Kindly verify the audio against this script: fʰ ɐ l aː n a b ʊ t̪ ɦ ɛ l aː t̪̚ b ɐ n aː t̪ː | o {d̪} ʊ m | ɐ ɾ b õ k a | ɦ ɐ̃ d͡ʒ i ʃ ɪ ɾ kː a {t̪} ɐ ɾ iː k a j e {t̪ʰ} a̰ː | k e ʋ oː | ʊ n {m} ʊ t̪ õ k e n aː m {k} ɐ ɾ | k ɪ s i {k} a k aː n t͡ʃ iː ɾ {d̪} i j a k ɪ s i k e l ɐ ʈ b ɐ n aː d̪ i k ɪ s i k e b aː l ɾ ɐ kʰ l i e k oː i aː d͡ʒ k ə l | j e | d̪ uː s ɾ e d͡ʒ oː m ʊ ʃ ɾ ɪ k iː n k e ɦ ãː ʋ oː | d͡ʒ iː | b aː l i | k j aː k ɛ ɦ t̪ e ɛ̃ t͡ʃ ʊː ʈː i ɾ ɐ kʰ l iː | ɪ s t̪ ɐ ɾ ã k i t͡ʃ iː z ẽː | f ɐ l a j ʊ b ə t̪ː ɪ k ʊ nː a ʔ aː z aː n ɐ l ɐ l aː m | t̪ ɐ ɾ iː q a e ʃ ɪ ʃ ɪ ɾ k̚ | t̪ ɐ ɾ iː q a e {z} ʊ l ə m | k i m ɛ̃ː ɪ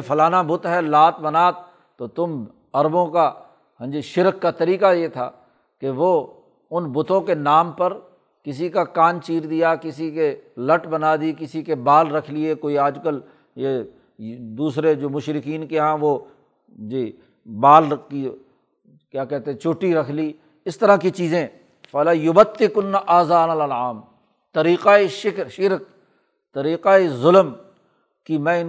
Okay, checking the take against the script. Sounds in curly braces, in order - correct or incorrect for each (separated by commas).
incorrect, correct, correct, incorrect, incorrect, correct, correct, correct